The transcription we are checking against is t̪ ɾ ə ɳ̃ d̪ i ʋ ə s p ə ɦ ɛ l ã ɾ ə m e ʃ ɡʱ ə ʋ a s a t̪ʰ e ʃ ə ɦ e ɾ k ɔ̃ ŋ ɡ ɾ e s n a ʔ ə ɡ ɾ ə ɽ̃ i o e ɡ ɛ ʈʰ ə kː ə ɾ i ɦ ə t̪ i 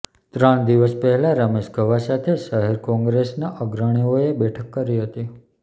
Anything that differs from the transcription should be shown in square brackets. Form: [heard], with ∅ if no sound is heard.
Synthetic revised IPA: t̪ ɾ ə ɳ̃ d̪ i ʋ ə s p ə ɦ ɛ l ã ɾ ə m e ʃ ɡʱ ə ʋ a s a t̪ʰ e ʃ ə ɦ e ɾ k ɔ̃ ŋ ɡ ɾ e s n a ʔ ə ɡ ɾ ə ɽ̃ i o e [b] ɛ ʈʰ ə kː ə ɾ i ɦ ə t̪ i